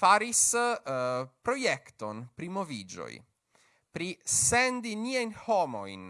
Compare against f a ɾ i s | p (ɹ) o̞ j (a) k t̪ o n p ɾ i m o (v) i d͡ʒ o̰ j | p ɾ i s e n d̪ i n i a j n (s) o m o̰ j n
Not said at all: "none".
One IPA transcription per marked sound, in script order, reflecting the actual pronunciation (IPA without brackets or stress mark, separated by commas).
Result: ɾ, e, v, h